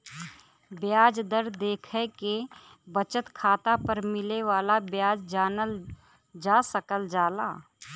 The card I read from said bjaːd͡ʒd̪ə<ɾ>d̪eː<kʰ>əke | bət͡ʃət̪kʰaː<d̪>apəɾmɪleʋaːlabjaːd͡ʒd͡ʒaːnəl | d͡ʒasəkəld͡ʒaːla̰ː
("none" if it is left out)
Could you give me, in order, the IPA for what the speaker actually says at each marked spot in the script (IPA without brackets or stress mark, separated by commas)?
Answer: ɾ, kʰ, t̪